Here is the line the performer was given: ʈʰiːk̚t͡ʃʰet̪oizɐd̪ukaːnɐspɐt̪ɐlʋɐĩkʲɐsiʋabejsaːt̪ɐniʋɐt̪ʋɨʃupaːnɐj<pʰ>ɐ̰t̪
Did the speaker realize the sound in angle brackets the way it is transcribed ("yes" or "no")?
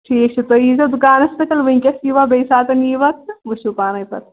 no